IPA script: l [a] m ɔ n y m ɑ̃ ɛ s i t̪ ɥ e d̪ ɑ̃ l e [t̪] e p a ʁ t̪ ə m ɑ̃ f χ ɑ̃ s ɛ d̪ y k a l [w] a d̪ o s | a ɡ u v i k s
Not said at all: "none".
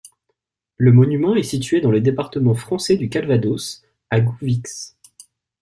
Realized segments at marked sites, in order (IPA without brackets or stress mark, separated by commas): ə, d̪, v